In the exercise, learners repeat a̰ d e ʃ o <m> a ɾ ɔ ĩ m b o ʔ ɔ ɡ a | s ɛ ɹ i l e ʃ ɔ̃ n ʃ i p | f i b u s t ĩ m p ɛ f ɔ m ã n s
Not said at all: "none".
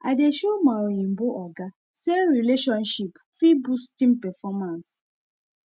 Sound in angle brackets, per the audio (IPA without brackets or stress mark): m